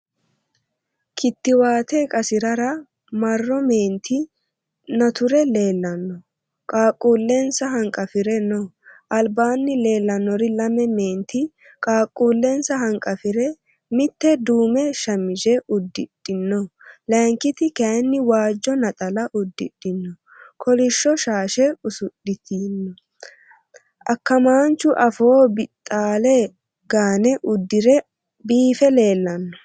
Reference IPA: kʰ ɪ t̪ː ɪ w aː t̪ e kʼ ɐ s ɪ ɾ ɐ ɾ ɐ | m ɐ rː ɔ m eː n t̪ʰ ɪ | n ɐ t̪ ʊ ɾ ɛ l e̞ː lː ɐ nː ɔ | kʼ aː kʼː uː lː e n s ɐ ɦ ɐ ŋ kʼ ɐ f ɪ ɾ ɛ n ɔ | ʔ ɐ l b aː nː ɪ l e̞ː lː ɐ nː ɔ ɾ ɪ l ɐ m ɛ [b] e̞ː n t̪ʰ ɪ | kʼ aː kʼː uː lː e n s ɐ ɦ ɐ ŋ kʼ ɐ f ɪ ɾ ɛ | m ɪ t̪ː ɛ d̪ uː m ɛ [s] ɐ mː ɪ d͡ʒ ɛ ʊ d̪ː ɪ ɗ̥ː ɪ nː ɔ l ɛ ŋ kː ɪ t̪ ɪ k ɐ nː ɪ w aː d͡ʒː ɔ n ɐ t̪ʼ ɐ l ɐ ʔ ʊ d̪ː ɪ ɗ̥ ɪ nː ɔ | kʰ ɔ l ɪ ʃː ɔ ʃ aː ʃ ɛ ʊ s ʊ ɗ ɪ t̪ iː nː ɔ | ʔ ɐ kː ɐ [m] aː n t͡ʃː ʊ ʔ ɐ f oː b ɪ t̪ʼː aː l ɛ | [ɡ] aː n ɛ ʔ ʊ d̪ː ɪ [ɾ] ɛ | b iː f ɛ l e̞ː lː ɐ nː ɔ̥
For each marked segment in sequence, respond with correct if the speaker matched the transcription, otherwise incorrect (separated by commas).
incorrect, incorrect, correct, correct, correct